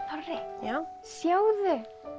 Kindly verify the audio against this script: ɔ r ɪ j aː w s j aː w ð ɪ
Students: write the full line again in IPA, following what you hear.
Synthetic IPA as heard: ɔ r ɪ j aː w s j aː w ð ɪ

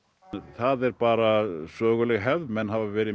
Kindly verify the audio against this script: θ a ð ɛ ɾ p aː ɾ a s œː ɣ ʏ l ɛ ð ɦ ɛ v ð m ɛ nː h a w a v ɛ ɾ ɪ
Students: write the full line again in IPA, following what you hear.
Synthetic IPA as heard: θ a ð ɛ ɾ p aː ɾ a s œː ɣ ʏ l ɛ ɣ ɦ ɛ v ð m ɛ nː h a v a v ɛː ɾ ɪ

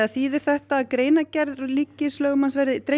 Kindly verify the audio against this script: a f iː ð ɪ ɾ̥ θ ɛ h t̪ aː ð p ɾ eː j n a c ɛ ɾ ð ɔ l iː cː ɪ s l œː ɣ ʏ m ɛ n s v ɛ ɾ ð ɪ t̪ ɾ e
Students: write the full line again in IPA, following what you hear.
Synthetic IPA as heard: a θ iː ð ɪ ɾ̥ θ ɛ h t̪ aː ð k ɾ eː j n a c ɛ ɾ ð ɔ l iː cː ɪ s l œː ɣ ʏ m a n s v ɛ ɾ ð ɪ t̪ ɾ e

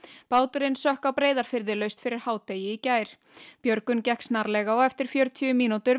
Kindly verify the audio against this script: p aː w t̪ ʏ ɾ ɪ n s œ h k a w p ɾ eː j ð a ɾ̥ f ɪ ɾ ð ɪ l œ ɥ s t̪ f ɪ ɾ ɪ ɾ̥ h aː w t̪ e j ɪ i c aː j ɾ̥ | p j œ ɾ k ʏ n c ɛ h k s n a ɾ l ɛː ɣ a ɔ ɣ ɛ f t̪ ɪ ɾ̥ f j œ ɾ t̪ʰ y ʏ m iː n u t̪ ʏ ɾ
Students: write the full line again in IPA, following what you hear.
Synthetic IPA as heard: p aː w t̪ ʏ ɾ ɪ n s œ h k a w p ɾ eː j ð a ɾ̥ f ɪ ɾ ð ɪ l œ ɥ s t̪ f ɪ ɾ ɪ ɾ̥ h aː w t̪ e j ɪ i c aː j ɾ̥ | p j œ ɾ k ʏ n c ɛ h k s n a ɾ l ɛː ɣ a ɔ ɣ ɛ f t̪ ɪ ɾ̥ f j œ ɾ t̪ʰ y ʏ m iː n u t̪ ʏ ɾ

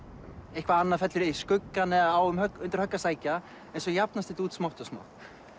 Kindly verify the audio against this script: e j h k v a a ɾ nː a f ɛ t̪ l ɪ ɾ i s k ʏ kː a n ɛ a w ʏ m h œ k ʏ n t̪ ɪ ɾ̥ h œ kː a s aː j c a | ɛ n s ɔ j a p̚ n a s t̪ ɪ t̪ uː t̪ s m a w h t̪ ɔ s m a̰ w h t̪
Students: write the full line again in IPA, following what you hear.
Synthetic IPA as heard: e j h k v a a nː a f ɛ t̪ l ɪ ɾ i s k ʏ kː a n ɛ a w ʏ m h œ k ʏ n t̪ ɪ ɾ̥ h œ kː a s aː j c a | ɛ n s ɔ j a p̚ n a s t̪ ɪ t̪ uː t̪ s m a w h t̪ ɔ s m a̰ w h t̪

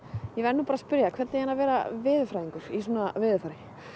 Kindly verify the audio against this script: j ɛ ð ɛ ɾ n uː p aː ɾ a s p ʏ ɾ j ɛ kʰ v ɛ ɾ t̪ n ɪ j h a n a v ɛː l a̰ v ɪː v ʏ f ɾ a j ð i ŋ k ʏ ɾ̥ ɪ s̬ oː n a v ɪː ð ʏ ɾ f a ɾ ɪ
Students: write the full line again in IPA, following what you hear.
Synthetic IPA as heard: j ɛ v ɛ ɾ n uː p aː ɾ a s p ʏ ɾ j a kʰ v ɛ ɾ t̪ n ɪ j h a n a v ɛː ɾ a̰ v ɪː ð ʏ f ɾ a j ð i ŋ k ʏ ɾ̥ i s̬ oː n a v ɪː ð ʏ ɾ f a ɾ ɪ

